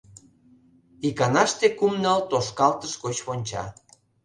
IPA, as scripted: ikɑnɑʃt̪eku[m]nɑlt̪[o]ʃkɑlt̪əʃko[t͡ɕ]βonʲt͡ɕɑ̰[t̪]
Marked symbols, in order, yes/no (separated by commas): yes, yes, yes, no